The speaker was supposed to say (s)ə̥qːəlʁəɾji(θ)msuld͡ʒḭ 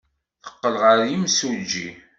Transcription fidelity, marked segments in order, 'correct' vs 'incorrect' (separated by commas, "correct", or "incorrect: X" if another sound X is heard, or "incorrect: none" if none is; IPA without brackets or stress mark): incorrect: θ, incorrect: none